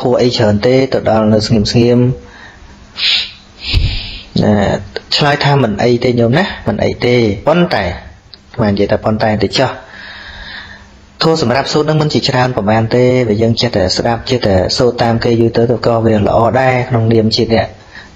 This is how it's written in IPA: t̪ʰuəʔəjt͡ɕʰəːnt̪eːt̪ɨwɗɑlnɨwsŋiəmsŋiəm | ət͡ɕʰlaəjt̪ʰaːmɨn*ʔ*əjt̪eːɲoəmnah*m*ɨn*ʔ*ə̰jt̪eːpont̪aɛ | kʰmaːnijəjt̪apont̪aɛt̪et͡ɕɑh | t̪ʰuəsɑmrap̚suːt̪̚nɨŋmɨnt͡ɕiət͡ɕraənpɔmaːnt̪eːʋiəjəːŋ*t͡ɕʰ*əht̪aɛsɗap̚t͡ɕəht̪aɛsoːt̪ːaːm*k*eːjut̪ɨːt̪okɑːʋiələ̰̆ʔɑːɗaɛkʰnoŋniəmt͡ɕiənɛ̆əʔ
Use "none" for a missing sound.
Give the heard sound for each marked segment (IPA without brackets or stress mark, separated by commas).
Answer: ʔ, m, ʔ, t͡ɕ, k